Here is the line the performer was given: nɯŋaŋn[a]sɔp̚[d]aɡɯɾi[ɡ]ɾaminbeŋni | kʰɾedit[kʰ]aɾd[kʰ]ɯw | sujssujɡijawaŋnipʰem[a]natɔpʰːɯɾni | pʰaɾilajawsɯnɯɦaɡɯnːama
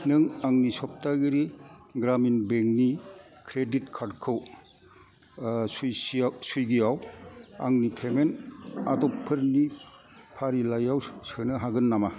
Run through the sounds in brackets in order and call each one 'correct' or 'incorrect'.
incorrect: i, incorrect: t, correct, correct, correct, incorrect: e

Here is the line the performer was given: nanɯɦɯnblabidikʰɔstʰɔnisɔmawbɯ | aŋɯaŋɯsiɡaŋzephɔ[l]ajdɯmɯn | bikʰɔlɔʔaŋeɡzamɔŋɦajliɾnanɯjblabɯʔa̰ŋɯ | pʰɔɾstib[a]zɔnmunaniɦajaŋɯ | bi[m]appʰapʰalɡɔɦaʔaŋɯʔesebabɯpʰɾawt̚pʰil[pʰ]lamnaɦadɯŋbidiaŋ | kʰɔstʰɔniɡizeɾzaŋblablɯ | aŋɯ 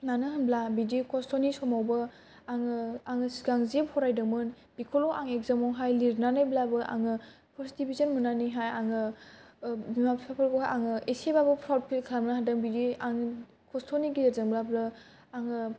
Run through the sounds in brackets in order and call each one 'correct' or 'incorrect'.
incorrect: ɾ, incorrect: i, correct, incorrect: kʰ

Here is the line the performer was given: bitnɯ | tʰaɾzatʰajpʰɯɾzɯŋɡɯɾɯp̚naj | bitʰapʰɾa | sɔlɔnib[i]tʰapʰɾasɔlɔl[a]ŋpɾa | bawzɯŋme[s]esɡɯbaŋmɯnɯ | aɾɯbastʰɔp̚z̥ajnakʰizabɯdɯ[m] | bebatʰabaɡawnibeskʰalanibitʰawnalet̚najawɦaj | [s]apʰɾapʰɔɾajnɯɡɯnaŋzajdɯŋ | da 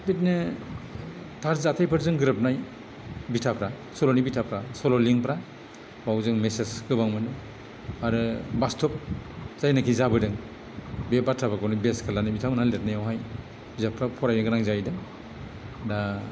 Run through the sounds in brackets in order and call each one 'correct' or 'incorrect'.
correct, incorrect: i, correct, incorrect: ŋ, incorrect: z

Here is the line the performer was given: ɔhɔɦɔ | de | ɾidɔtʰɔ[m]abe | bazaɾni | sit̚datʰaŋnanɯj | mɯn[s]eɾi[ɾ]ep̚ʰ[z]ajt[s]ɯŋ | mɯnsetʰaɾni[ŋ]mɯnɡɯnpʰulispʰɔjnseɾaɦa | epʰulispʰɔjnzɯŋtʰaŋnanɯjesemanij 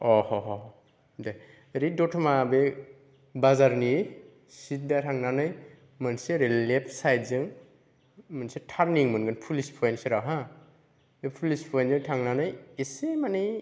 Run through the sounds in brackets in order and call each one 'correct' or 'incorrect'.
correct, correct, incorrect: l, incorrect: s, incorrect: z, correct

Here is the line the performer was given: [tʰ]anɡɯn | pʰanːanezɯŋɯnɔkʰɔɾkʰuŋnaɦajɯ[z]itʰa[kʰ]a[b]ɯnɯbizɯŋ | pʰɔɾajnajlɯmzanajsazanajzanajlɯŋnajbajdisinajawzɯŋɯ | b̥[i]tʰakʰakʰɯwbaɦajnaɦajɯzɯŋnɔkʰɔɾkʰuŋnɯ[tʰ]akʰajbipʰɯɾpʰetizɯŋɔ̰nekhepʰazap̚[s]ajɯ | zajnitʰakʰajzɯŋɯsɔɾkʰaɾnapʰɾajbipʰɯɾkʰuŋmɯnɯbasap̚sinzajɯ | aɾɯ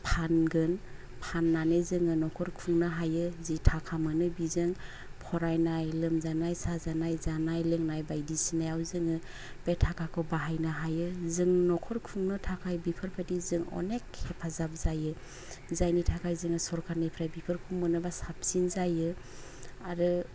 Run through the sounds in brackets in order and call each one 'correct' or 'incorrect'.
incorrect: pʰ, correct, correct, incorrect: m, incorrect: e, correct, incorrect: z

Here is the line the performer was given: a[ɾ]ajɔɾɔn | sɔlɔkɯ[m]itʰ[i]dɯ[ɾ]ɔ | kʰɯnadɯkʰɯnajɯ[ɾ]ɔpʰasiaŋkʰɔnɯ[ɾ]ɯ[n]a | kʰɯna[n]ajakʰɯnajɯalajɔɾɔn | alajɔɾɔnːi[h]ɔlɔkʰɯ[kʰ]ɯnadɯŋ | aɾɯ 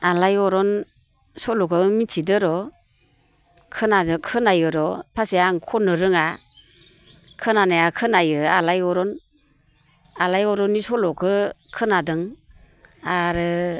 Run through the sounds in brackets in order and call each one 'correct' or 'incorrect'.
incorrect: l, correct, correct, correct, correct, correct, incorrect: ŋ, correct, incorrect: s, correct

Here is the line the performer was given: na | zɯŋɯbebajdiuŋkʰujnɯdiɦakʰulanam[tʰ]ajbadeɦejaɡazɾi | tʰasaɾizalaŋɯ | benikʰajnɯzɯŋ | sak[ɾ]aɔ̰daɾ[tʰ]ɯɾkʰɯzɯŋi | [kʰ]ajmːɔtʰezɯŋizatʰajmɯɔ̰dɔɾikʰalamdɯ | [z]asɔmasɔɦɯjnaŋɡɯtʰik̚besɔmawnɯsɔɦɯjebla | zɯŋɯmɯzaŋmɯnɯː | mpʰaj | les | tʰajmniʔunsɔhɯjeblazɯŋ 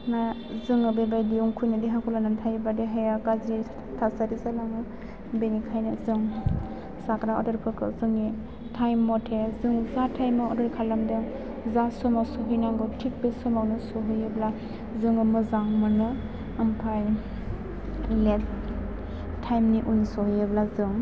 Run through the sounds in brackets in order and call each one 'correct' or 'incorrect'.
correct, correct, incorrect: pʰ, incorrect: tʰ, correct

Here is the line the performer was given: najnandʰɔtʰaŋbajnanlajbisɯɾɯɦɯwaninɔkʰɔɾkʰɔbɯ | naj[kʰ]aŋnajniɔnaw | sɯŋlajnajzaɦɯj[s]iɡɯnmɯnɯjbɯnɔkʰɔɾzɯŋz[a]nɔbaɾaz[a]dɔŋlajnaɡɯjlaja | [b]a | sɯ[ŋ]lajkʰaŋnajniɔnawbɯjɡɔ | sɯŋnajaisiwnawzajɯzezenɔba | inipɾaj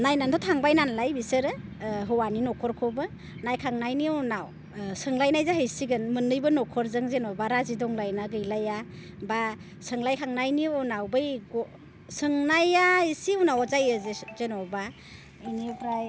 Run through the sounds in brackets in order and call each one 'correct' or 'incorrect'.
correct, correct, incorrect: e, incorrect: i, correct, correct

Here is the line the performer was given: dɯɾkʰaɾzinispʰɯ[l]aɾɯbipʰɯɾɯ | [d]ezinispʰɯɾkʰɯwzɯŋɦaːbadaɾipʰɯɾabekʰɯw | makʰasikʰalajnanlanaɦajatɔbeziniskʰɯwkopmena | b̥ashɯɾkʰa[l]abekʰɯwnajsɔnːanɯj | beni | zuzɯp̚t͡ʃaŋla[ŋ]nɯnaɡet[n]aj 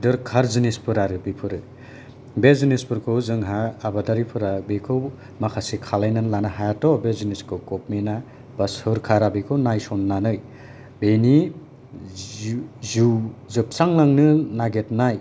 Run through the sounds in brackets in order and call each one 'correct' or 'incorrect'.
incorrect: ɾ, incorrect: b, incorrect: ɾ, correct, correct

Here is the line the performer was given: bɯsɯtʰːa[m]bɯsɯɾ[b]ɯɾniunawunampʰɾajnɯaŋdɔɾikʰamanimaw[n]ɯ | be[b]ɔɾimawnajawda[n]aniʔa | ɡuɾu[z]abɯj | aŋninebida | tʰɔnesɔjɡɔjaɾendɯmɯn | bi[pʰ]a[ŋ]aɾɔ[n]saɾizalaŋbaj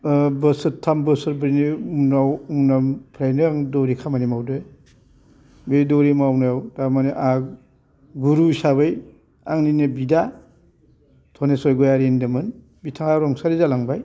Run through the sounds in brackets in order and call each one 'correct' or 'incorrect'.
correct, correct, incorrect: d, incorrect: d, incorrect: m, incorrect: s, incorrect: tʰ, correct, incorrect: ŋ

